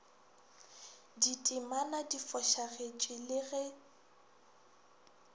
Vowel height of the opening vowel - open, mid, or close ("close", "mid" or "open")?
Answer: close